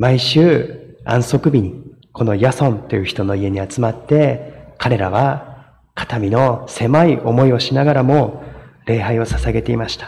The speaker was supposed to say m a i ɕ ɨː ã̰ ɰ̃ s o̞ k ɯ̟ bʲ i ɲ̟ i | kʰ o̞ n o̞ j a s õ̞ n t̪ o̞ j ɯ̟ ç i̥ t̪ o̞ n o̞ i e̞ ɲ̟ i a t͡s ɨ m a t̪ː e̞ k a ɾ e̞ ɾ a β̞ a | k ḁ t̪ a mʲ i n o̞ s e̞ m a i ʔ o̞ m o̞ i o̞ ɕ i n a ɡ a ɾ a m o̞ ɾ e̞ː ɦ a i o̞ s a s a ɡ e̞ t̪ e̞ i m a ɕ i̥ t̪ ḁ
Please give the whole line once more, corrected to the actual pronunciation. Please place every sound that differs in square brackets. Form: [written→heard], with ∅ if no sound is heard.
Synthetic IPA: m a i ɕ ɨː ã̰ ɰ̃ s o̞ k ɯ̟ bʲ i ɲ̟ i | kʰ o̞ n o̞ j a s õ̞ n t̪ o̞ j ɯ̟ ç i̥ t̪ o̞ n o̞ i e̞ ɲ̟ i a t͡s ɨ m a t̪ː e̞ k a ɾ e̞ ɾ a β̞ a | k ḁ t̪ a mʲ i n o̞ s e̞ m a i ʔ o̞ m o̞ i o̞ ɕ i n a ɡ a ɾ a m o̞ ɾ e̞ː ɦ a i o̞ s a s a ɡ e̞ t̪ e̞ i m a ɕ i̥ t̪ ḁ